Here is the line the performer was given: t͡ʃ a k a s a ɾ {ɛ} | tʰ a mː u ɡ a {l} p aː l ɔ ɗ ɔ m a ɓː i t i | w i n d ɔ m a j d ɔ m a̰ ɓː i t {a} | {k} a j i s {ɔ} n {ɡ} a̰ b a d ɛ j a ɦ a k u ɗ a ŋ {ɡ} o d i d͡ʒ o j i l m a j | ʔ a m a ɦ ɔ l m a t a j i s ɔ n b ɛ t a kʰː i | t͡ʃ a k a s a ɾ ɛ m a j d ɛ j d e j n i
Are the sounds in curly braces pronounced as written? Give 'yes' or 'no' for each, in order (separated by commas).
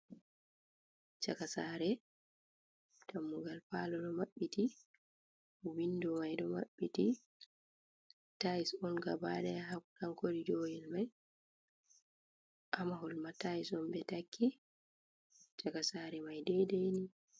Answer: yes, yes, no, no, yes, yes, no